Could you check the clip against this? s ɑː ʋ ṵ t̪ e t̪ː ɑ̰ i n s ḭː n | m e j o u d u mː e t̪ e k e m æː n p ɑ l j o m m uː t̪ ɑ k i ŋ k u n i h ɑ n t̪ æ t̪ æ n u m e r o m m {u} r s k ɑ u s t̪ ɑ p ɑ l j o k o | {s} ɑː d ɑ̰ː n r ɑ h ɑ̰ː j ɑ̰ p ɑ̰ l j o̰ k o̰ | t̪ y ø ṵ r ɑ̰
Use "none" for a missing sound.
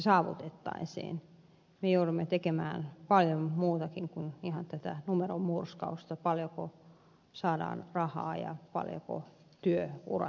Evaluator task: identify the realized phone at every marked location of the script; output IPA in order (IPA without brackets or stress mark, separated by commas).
u, s